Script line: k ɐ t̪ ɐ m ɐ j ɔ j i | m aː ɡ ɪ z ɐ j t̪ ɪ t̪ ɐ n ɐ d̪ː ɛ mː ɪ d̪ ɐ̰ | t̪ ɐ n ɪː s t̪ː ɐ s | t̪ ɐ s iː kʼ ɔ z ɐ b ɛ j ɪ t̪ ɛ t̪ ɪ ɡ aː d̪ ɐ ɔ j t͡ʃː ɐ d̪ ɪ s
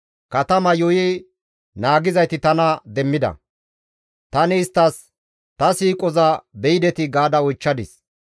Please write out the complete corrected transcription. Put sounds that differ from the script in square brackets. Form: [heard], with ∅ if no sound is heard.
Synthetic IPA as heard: k ɐ t̪ ɐ m ɐ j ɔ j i | [n] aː ɡ ɪ z ɐ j t̪ ɪ t̪ ɐ n ɐ [d̪] ɛ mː ɪ d̪ ɐ̰ | t̪ ɐ n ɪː s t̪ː ɐ s | t̪ ɐ s iː kʼ ɔ z ɐ b ɛ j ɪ [d̪] ɛ t̪ ɪ ɡ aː d̪ ɐ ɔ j t͡ʃː ɐ d̪ ɪ s